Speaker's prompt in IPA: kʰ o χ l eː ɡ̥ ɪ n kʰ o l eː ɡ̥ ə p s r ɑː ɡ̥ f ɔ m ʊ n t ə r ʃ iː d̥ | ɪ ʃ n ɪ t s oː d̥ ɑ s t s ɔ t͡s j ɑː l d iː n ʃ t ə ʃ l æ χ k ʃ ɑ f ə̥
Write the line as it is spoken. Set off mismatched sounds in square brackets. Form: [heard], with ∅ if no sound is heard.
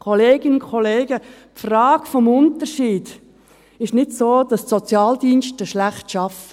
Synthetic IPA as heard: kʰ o [∅] l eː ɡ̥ ɪ n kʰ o l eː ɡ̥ ə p [f] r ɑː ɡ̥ f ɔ m ʊ n t ə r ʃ iː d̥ | ɪ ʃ n ɪ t s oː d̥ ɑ s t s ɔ t͡s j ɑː l d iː n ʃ t ə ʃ l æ χ [t] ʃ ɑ f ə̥